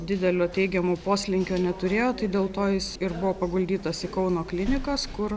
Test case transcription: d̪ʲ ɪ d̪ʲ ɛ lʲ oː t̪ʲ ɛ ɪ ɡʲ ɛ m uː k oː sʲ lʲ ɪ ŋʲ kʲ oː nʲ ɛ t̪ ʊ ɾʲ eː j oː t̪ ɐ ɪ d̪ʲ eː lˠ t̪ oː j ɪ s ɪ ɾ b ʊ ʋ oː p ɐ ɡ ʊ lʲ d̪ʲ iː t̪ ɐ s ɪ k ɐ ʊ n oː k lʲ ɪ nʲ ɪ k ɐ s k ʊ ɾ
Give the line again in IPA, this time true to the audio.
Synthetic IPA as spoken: d̪ʲ ɪ d̪ʲ ɛ lʲ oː t̪ʲ ɛ ɪ ɡʲ ɛ m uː p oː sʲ lʲ ɪ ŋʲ kʲ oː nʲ ɛ t̪ ʊ ɾʲ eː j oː t̪ ɐ ɪ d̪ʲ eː lˠ t̪ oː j ɪ s ɪ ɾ b ʊ ʋ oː p ɐ ɡ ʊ lʲ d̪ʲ iː t̪ ɐ s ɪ k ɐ ʊ n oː k lʲ ɪ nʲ ɪ k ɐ s k ʊ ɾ